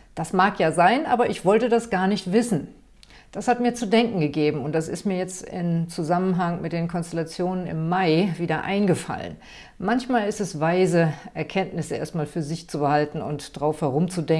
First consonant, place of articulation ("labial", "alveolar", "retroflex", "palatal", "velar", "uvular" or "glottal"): alveolar